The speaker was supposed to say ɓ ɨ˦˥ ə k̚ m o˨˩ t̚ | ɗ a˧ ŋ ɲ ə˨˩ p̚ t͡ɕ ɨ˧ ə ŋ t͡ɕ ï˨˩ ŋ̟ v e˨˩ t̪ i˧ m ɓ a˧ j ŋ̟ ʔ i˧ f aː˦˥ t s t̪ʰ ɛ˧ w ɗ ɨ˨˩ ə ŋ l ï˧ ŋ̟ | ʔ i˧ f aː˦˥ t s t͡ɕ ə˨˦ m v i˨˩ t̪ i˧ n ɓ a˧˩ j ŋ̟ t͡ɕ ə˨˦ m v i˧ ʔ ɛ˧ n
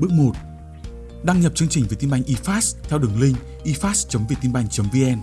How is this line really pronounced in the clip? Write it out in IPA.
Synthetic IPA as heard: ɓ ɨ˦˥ ə k̚ m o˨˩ t̚ | ɗ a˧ ŋ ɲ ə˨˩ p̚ t͡ɕ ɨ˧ ə ŋ t͡ɕ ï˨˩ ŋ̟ v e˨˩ t̪ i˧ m ɓ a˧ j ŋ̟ ʔ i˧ f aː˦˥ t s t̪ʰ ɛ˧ w ɗ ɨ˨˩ ə ŋ l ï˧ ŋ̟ | ʔ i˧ f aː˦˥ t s t͡ɕ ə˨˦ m v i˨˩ t̪ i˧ n ɓ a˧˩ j ŋ̟ t͡ɕ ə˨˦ m v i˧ ʔ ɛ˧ n